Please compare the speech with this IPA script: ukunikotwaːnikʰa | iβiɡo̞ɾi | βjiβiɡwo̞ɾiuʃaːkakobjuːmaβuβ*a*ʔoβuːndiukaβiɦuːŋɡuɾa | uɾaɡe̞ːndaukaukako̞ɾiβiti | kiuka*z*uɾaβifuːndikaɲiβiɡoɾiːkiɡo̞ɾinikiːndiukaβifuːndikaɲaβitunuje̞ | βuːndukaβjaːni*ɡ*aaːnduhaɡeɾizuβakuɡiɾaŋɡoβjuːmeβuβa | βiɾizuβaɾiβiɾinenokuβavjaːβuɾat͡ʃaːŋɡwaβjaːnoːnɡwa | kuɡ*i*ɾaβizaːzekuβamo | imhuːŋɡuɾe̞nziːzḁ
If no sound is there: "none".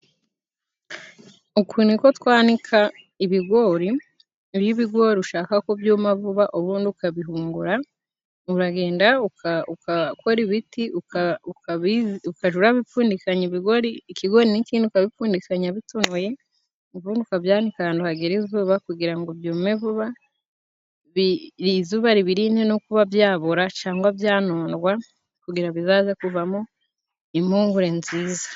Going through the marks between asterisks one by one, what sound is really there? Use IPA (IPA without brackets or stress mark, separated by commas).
a, ʒ, k, i